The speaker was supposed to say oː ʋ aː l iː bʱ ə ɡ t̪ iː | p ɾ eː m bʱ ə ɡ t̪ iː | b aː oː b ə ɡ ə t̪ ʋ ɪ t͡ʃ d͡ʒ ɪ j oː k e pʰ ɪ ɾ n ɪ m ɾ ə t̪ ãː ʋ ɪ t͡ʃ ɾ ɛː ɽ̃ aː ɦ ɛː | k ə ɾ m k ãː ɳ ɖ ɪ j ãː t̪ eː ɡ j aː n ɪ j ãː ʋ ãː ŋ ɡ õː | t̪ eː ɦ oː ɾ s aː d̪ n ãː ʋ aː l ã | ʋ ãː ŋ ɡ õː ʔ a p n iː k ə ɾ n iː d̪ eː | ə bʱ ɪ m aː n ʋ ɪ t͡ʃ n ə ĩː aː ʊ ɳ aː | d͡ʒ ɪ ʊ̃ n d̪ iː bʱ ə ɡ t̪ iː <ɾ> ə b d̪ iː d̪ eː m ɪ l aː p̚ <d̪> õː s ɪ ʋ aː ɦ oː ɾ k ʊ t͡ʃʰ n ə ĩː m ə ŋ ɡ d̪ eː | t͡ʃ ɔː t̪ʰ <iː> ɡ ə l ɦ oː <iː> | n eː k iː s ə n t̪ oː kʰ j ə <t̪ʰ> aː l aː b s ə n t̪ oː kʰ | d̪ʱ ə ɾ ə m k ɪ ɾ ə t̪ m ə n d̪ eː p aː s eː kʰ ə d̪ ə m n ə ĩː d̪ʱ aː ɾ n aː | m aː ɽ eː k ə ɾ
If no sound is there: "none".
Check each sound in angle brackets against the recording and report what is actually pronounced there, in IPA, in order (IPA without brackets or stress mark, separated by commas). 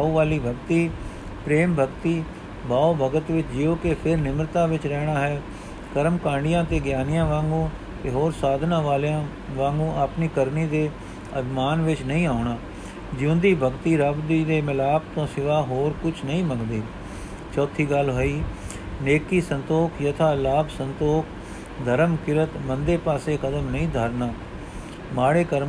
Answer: ɾ, t̪, iː, iː, t̪ʰ